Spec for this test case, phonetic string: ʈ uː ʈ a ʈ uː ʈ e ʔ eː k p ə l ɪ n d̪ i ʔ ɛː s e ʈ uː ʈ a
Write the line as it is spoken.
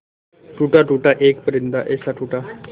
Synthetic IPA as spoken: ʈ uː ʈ a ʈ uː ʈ a ʔ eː k p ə ɾ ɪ n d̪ a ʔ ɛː s a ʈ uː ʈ a

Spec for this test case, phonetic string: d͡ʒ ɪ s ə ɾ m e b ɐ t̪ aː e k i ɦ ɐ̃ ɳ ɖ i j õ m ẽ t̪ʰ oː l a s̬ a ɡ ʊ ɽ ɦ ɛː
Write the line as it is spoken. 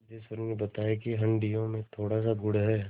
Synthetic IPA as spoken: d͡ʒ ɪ s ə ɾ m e b ɐ t̪ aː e k i ɦ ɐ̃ ɳ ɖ i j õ m ẽ t̪ʰ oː ɽ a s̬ a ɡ ʊ ɽ ɦ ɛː

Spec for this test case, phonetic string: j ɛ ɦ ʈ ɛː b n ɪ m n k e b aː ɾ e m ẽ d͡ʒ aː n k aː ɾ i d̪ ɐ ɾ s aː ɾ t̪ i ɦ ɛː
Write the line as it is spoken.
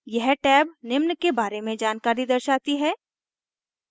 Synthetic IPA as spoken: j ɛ ɦ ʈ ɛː b n ɪ m n k e b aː ɾ e m ẽ d͡ʒ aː n k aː ɾ i d̪ ɐ ɾ ʃ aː t̪ i ɦ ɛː

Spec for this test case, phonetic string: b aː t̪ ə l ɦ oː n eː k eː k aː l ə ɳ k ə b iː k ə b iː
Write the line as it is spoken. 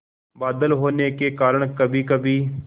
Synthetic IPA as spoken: b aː d̪ ə l ɦ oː n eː k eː k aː ɾ ə ɳ k ə b iː k ə b iː

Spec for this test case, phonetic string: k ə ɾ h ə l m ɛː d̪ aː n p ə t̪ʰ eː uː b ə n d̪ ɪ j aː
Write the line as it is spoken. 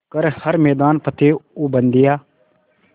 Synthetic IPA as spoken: k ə ɾ h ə ɾ m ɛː d̪ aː n p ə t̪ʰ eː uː b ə n d̪ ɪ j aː

